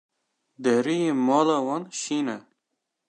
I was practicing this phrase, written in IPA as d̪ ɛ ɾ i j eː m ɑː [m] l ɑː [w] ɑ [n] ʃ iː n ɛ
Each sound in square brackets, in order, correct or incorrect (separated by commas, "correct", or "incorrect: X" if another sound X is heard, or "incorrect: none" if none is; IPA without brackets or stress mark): incorrect: none, correct, correct